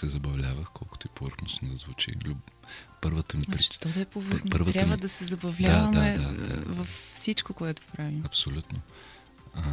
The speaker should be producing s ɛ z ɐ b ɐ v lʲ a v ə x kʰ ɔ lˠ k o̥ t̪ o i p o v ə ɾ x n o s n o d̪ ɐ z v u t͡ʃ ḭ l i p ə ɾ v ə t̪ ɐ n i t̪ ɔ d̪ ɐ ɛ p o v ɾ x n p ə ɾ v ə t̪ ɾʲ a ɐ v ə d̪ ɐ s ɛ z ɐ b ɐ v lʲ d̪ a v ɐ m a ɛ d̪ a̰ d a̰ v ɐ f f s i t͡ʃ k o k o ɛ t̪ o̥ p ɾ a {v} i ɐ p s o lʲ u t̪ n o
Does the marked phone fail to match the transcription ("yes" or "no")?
no